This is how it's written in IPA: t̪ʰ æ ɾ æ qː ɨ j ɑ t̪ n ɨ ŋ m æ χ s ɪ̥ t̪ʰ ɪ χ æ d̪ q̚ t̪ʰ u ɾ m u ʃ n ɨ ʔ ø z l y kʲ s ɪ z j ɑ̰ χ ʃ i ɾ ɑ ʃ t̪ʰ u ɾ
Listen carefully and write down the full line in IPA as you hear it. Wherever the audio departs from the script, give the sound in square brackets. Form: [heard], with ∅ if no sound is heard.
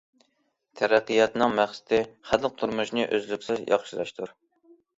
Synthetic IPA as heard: t̪ʰ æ ɾ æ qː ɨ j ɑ t̪ n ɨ ŋ m æ χ s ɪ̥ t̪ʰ ɪ χ æ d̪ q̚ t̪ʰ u ɾ m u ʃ n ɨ ʔ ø z l y kʲ s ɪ z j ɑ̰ χ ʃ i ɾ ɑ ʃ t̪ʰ u ɾ